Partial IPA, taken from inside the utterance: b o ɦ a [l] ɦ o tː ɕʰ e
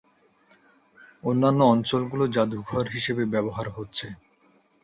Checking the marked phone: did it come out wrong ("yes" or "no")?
yes